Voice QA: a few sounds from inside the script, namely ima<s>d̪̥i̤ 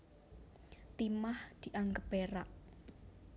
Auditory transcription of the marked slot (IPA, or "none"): h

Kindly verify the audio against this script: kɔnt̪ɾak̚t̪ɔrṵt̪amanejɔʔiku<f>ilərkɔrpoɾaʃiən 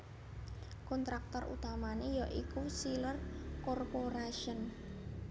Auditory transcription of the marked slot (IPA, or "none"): s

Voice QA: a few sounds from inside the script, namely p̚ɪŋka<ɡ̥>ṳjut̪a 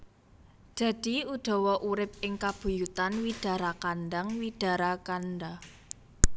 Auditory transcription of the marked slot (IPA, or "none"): b̥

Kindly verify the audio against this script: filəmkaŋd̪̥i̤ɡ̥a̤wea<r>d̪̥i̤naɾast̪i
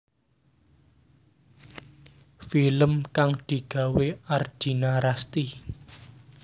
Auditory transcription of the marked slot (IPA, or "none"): r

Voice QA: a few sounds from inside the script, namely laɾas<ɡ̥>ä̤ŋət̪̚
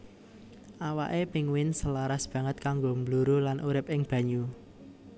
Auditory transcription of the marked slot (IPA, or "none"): b̥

